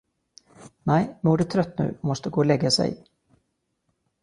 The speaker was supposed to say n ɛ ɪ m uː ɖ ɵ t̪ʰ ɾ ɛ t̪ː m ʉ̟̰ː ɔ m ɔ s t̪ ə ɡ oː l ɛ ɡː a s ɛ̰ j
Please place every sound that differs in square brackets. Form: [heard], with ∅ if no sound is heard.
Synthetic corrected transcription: n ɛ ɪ m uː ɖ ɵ t̪ʰ ɾ [œ] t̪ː [n] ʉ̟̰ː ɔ m ɔ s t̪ ə ɡ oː l ɛ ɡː a s ɛ̰ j